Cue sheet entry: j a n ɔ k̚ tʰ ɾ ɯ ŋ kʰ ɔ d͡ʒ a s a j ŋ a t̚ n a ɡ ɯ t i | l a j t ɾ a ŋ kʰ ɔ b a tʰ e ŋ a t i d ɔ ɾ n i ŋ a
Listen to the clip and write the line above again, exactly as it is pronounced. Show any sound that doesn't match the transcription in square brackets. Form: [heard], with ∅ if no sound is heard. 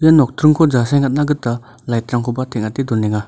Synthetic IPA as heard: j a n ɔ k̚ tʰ ɾ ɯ ŋ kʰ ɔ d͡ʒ a s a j ŋ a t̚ n a ɡ ɯ t [a] | l a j t ɾ a ŋ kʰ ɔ b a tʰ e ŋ a t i d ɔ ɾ n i ŋ a